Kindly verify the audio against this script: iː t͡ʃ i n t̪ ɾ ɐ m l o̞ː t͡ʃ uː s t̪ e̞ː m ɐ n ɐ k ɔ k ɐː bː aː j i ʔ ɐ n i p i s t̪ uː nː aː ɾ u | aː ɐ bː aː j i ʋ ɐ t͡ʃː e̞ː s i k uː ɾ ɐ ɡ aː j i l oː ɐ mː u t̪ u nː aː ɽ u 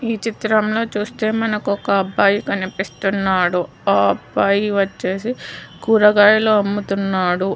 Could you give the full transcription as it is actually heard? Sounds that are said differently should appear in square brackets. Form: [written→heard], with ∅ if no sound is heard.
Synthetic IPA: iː t͡ʃ i [n→∅] t̪ ɾ ɐ m l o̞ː t͡ʃ uː s t̪ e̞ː m ɐ n ɐ k ɔ k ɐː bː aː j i [ʔ→k] ɐ n i p i s t̪ [uː→u] nː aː [ɾ→ɽ] u | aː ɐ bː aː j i ʋ ɐ t͡ʃː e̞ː s i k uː ɾ ɐ ɡ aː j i l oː ɐ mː u t̪ u nː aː ɽ u

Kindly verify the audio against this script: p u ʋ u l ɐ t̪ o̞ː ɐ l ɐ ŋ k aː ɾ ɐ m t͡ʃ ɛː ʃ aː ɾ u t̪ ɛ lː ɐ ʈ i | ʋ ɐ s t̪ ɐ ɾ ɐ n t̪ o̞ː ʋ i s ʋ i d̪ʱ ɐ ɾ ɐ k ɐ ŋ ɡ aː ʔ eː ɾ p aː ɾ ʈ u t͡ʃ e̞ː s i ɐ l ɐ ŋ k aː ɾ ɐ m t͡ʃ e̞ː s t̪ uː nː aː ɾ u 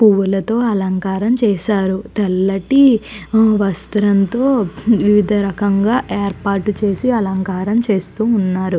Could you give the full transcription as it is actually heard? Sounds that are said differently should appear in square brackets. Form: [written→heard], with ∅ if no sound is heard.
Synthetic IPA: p u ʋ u l ɐ t̪ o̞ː ɐ l ɐ ŋ k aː ɾ ɐ m t͡ʃ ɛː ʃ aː ɾ u t̪ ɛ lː ɐ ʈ i | ʋ ɐ s t̪ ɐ ɾ ɐ n t̪ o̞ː ʋ i [s→∅] ʋ i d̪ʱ ɐ ɾ ɐ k ɐ ŋ ɡ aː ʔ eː ɾ p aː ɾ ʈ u t͡ʃ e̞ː s i ɐ l ɐ ŋ k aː ɾ ɐ m t͡ʃ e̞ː s t̪ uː nː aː ɾ u

